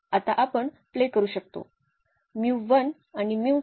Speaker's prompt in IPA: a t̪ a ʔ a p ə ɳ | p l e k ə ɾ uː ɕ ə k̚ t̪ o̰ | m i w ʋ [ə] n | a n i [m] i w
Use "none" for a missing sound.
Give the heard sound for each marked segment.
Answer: ə, m

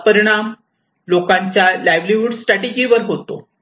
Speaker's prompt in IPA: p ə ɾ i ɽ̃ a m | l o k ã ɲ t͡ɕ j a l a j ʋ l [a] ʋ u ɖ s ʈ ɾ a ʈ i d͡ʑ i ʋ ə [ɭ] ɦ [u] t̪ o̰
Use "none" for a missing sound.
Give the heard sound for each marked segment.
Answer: i, ɾ, o

